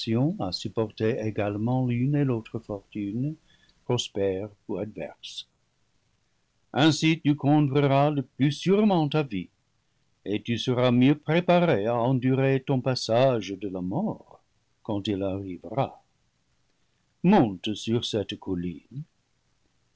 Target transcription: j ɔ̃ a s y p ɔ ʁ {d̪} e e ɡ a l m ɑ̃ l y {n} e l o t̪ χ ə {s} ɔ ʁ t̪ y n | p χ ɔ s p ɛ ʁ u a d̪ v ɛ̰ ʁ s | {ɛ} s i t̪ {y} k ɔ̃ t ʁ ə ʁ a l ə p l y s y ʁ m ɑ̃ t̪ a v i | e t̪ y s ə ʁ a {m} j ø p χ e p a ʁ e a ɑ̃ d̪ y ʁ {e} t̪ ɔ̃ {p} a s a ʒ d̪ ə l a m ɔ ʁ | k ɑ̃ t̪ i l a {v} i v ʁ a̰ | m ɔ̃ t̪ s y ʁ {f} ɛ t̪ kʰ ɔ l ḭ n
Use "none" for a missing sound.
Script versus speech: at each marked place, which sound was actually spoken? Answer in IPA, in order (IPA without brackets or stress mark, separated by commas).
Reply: t̪, n, f, ɛ̃, y, m, e, p, ʁ, s